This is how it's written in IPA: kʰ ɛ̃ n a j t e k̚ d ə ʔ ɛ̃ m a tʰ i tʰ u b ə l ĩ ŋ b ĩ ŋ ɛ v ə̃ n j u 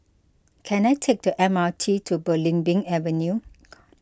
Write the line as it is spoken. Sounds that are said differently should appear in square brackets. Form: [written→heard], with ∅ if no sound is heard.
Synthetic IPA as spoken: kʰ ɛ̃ n a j [t→tʰ] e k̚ d ə ʔ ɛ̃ m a tʰ i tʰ u b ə l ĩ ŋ b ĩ ŋ ɛ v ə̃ n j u